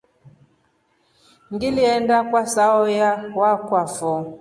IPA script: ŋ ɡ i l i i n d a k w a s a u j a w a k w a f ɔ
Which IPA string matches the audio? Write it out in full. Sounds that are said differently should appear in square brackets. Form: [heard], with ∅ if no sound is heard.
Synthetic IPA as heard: ŋ ɡ i l i [ɛ] n d a k w a s a [ɔ] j a w a k w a f ɔ